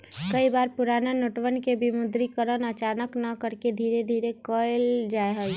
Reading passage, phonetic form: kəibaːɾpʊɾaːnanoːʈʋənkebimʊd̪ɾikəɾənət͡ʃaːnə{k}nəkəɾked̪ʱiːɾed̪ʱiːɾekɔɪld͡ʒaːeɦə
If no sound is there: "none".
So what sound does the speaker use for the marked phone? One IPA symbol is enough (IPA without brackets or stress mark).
k